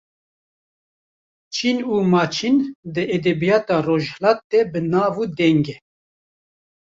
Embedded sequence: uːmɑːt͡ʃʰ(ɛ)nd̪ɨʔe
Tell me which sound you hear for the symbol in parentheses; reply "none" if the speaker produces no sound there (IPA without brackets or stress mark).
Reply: i